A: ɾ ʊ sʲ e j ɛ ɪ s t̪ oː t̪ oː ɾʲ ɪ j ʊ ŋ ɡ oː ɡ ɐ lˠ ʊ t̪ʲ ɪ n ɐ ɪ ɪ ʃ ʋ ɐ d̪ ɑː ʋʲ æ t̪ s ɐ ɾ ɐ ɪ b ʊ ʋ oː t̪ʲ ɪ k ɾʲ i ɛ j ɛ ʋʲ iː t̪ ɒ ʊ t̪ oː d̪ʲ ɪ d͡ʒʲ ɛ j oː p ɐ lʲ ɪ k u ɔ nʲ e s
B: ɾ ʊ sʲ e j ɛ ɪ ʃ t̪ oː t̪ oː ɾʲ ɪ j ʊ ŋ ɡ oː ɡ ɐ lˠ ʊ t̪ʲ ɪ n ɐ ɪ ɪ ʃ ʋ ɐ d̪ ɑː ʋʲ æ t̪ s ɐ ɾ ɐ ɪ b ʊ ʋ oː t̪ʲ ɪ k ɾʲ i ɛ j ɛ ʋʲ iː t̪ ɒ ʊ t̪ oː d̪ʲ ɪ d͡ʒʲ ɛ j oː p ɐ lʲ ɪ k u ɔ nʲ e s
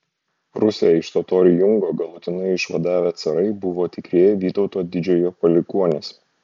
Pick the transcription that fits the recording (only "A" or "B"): B